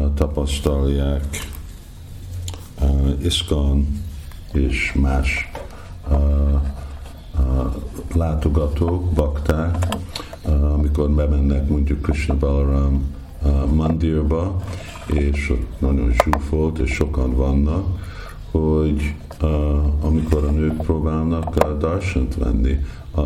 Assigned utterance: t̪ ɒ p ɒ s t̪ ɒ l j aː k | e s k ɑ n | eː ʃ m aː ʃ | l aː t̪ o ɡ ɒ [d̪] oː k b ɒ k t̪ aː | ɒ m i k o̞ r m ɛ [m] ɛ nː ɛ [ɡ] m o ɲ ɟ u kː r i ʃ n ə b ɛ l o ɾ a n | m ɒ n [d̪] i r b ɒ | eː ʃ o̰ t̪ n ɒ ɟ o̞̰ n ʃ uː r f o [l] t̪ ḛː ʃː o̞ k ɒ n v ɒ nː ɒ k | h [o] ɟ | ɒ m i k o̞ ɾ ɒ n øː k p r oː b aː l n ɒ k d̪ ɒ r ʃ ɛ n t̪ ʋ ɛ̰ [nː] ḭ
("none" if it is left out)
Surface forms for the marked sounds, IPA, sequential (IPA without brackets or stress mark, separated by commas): t̪, m, k, d̪, l, o, nː